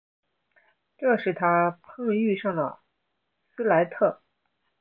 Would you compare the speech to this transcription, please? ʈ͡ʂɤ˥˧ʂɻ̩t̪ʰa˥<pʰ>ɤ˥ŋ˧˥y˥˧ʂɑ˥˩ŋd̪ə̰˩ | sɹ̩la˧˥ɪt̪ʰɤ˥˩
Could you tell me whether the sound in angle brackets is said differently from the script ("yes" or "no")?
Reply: no